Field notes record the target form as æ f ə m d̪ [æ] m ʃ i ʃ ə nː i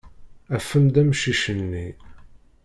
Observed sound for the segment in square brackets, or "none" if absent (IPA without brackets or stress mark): æ